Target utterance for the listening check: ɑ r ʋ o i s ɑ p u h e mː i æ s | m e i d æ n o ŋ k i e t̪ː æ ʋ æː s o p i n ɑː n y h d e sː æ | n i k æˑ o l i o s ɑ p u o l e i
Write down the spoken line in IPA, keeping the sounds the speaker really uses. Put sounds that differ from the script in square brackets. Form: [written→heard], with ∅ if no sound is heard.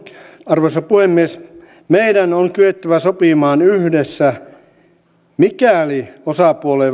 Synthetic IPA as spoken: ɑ r ʋ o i s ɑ p u h e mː i [æ→e] s | m e i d æ n o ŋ k [i→y] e t̪ː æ ʋ [æː→æ] s o p i [n→m] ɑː n y h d e sː æ | [n→m] i k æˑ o l i o s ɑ p u o l e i